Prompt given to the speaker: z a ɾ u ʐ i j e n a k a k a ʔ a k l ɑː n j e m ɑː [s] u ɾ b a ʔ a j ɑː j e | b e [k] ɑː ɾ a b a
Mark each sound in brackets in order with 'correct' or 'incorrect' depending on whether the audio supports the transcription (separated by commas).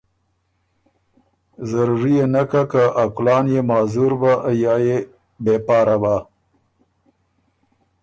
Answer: incorrect, incorrect